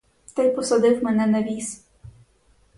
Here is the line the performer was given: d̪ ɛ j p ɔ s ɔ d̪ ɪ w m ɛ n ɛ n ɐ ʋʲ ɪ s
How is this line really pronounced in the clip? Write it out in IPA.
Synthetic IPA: t̪ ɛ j p ɔ s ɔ d̪ ɪ w m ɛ n ɛ n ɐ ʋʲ i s

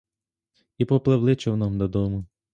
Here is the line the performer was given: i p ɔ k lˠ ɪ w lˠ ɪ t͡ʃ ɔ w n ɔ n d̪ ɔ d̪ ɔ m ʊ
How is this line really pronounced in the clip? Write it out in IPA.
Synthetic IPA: i p ɔ p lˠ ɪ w lˠ ɪ t͡ʃ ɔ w n ɔ m d̪ ɔ d̪ ɔ m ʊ

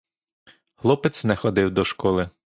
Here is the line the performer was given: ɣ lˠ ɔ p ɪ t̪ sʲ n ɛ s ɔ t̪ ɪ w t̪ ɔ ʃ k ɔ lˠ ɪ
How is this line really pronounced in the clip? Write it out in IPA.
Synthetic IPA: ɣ lˠ ɔ p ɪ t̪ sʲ n ɛ x ɔ d̪ ɪ w d̪ ɔ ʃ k ɔ lˠ ɪ

